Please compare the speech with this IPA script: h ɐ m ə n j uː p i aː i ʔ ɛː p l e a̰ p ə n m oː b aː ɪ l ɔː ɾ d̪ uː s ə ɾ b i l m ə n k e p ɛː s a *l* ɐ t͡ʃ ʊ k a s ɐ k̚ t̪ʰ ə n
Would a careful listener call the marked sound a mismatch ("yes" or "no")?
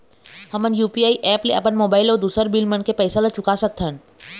no